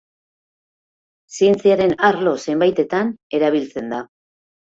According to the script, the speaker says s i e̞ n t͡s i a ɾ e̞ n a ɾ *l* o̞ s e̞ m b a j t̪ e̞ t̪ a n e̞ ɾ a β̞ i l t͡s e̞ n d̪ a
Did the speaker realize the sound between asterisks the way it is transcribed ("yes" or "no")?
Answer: yes